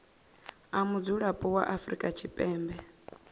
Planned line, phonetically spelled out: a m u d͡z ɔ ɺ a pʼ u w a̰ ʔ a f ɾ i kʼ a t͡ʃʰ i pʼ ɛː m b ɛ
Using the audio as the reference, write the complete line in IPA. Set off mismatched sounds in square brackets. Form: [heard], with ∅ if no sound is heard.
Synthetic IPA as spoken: a m u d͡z [u] ɺ a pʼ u w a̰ ʔ a f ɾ i kʼ a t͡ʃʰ i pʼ ɛː m b ɛ

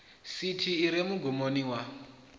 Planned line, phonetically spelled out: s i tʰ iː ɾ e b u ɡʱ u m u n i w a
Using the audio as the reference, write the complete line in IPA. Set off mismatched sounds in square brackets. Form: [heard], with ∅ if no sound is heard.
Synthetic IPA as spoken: s i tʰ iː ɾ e [m] u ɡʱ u m [o] n i w a

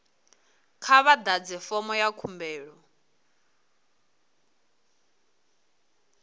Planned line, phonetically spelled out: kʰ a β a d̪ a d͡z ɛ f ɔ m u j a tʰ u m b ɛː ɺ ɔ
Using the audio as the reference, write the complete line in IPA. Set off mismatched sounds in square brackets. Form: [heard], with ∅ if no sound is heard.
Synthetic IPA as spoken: kʰ a β a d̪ a d͡z ɛ f ɔ m [ɔ] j a [kʰ] u m b ɛː ɺ ɔ

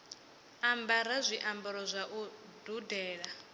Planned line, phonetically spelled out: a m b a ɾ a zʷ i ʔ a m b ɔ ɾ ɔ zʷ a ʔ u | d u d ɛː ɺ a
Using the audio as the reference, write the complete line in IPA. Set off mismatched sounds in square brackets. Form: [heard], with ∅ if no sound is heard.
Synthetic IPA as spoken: a m b a ɾ a zʷ i ʔ a m b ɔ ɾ ɔ zʷ a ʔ u | d u d ɛː ɺ a

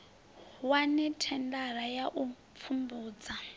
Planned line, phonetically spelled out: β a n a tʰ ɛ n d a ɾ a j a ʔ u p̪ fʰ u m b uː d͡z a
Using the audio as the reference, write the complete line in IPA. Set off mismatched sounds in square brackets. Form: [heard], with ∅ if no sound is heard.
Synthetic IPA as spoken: [w] a n [ɛ] tʰ ɛ n d a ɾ a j a ʔ u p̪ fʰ u m b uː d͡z a

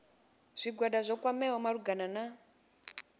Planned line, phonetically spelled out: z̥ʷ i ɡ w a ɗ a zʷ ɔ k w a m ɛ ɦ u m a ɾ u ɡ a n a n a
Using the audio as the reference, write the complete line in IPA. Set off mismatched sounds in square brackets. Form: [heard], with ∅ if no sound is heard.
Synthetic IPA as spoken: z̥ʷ i ɡ w a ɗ a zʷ ɔ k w a m ɛ ɦ [ɔ] m a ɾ u ɡ a n a n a

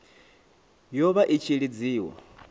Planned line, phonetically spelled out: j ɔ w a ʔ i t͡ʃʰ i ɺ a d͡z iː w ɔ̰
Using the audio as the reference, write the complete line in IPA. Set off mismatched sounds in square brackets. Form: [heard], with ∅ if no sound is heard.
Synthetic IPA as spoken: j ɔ [β] a ʔ i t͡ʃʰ i ɺ [i] d͡z iː w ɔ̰

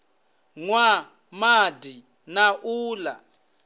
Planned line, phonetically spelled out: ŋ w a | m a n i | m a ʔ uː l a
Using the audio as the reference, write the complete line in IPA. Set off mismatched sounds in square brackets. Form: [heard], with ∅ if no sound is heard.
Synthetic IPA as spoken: ŋ w a | m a [d] i | [n] a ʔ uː l a

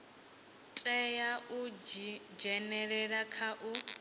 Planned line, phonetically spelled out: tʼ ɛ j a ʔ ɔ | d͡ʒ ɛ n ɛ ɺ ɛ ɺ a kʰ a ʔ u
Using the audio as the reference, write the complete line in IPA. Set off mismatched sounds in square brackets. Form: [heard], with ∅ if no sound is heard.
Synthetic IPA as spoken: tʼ ɛ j a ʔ [u] | d͡ʒ ɛ n ɛ ɺ ɛ ɺ a kʰ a ʔ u

